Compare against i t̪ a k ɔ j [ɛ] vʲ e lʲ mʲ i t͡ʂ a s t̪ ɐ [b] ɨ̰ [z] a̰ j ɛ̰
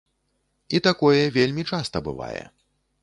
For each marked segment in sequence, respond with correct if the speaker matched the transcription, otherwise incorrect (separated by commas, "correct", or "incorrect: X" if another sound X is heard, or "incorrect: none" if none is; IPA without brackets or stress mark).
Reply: correct, correct, incorrect: v